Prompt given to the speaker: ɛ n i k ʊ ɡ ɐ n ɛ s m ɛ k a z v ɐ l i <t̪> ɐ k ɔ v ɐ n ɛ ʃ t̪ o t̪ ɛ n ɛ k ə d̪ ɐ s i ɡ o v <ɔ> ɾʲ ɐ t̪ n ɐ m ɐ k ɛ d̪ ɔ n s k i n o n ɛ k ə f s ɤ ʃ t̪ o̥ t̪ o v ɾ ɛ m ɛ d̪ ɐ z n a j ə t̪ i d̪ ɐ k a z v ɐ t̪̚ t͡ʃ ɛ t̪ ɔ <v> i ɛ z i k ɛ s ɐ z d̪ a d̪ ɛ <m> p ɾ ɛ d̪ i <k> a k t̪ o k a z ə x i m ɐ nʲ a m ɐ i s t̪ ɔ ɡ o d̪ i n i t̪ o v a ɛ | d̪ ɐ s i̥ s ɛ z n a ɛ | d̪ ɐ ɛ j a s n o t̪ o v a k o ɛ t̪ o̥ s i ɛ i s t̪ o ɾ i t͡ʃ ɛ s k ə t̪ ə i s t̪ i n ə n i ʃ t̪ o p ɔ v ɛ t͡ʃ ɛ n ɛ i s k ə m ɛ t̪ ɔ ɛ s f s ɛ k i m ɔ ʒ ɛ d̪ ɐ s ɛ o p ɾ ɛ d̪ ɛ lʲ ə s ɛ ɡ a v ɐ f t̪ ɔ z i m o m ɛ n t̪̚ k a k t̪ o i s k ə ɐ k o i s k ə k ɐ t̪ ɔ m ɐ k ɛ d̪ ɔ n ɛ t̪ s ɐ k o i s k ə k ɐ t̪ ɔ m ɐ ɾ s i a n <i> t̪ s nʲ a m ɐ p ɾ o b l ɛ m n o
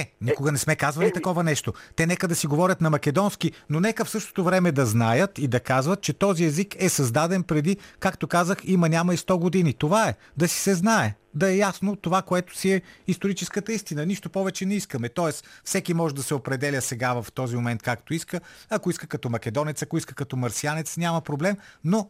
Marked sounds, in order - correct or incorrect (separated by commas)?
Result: correct, correct, incorrect, incorrect, correct, incorrect